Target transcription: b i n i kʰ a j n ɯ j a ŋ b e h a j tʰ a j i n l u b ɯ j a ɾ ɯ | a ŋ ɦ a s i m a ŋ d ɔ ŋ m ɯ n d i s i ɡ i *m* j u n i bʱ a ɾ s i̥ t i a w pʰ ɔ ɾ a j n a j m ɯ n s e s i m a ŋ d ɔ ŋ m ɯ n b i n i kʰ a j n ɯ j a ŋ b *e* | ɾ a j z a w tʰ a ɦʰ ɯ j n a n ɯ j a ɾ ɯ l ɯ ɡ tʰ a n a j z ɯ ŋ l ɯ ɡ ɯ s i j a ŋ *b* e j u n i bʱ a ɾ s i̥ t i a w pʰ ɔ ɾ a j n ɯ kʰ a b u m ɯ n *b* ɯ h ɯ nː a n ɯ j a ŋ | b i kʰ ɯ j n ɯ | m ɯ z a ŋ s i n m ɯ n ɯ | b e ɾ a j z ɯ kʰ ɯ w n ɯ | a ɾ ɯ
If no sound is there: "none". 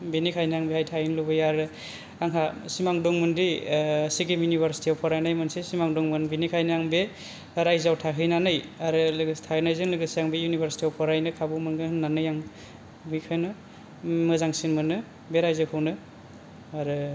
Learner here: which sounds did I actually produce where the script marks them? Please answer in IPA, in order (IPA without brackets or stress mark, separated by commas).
m, e, b, ɡ